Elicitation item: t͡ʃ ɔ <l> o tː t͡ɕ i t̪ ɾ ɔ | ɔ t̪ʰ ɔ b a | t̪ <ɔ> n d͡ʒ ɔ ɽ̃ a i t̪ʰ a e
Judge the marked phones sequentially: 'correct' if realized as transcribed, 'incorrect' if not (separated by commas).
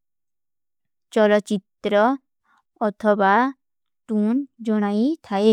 correct, incorrect